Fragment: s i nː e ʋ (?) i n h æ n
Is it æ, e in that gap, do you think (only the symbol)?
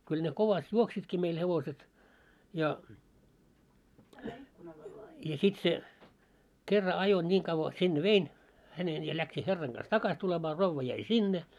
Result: e